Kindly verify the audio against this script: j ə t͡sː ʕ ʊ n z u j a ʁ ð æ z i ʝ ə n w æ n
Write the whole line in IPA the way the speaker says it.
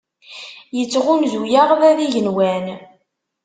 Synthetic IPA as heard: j ə t͡sː ʁ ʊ n z u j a ʁ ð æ ð i ʝ ə n w æ n